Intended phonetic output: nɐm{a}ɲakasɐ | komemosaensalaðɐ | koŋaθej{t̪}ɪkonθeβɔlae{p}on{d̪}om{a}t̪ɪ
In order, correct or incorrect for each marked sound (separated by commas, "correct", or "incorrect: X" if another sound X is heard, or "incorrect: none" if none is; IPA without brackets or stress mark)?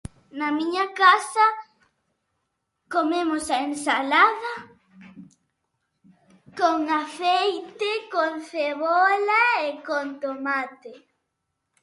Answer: incorrect: i, correct, incorrect: k, incorrect: t̪, correct